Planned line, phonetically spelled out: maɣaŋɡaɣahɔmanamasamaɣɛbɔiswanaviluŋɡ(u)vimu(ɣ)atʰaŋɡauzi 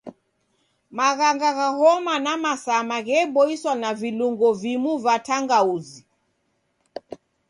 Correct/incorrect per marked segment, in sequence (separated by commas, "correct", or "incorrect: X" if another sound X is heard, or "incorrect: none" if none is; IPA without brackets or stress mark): incorrect: ɔ, incorrect: v